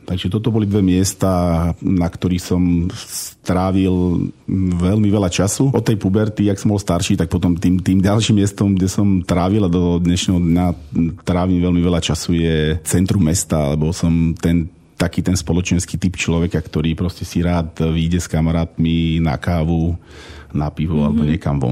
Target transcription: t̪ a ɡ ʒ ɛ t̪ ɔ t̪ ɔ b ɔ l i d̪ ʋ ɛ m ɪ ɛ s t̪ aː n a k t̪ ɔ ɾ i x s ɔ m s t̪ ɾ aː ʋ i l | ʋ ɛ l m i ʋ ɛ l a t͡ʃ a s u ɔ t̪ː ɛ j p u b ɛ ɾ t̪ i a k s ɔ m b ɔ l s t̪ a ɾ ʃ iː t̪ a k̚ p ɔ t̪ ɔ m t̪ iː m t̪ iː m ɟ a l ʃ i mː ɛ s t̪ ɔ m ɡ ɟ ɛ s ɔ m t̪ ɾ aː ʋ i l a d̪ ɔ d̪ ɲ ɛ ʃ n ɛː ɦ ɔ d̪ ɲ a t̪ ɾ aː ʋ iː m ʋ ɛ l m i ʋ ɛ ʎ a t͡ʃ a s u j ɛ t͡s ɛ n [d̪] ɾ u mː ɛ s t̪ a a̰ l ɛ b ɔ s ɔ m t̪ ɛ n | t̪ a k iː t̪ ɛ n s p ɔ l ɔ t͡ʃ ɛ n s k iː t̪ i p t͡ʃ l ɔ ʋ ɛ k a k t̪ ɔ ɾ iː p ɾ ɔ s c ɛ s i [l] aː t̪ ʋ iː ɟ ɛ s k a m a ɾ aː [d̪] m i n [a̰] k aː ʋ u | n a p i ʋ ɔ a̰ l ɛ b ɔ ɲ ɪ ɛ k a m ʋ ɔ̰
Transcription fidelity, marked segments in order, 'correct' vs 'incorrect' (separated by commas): incorrect, incorrect, incorrect, correct